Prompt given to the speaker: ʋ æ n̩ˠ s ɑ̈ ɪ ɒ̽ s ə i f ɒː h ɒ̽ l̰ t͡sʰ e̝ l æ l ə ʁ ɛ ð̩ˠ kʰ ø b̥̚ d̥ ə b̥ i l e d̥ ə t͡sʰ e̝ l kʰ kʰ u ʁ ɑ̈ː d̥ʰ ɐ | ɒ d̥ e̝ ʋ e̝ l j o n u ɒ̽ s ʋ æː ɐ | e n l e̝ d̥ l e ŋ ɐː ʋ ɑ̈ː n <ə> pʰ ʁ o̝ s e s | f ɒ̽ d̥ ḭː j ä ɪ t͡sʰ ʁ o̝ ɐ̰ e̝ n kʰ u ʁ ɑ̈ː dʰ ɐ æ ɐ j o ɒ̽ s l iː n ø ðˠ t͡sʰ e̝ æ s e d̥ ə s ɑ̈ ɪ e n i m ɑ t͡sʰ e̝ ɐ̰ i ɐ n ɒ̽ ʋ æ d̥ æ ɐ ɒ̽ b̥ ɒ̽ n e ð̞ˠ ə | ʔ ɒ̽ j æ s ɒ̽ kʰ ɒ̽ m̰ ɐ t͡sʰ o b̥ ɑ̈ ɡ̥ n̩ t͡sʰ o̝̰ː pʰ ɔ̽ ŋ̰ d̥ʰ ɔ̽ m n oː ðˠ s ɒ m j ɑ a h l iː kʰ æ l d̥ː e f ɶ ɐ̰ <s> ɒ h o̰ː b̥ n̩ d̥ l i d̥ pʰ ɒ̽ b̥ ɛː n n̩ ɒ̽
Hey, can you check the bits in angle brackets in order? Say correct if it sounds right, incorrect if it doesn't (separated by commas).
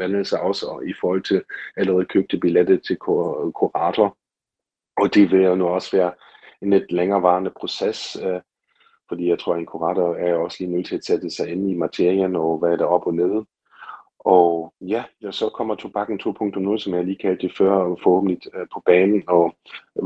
correct, incorrect